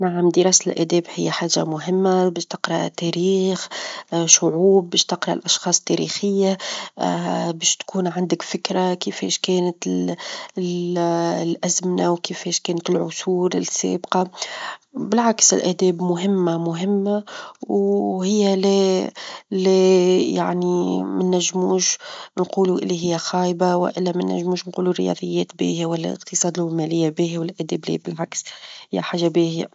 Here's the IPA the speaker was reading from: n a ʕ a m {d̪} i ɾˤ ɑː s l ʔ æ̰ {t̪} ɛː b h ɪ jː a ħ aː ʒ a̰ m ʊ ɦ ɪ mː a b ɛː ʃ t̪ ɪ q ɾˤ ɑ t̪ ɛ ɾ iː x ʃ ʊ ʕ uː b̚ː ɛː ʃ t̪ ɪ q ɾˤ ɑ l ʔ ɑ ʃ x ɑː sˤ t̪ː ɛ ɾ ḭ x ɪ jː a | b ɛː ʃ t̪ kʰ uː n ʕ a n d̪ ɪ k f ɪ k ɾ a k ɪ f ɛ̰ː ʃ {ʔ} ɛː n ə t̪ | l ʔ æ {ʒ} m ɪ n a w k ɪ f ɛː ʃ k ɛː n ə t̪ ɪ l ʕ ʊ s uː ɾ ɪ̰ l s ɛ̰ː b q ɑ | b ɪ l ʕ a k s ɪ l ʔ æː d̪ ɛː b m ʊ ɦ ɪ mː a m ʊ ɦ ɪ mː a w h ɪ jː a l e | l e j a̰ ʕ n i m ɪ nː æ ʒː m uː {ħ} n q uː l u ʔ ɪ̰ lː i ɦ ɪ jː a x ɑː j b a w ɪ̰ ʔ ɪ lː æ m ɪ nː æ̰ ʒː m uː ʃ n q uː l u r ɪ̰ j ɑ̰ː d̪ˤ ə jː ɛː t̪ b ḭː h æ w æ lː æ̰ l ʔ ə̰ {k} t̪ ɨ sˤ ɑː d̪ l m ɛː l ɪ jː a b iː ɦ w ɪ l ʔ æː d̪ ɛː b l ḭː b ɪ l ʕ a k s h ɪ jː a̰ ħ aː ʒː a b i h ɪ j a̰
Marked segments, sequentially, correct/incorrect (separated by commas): correct, incorrect, incorrect, incorrect, incorrect, incorrect